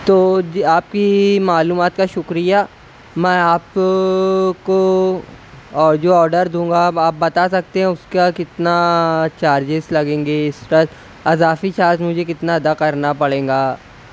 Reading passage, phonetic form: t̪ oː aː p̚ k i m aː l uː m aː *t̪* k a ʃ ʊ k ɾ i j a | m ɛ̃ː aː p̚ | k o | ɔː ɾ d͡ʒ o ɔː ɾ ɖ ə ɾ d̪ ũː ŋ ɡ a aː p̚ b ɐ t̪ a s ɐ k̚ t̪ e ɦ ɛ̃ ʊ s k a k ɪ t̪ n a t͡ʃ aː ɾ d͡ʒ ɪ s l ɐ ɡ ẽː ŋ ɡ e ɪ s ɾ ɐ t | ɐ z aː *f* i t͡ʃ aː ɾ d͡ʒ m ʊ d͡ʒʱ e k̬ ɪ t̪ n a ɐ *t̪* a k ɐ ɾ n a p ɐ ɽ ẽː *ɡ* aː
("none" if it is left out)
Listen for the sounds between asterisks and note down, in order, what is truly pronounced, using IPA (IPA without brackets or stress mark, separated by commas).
t̪, f, d̪, ɡ